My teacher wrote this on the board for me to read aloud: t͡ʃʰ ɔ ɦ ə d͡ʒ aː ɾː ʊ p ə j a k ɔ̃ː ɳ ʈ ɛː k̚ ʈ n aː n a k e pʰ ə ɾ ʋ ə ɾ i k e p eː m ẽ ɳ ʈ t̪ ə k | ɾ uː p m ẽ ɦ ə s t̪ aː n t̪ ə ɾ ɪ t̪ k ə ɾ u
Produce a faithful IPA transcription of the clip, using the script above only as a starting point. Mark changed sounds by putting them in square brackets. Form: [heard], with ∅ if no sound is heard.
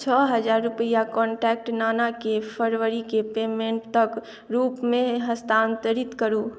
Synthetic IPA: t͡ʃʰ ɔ ɦ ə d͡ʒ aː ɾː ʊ p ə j a k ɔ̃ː ɳ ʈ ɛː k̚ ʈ n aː n a k e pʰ ə ɾ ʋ ə ɾ i k e p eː m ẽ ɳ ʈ t̪ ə k | ɾ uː p m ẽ ɦ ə s t̪ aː n t̪ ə ɾ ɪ t̪ k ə ɾ u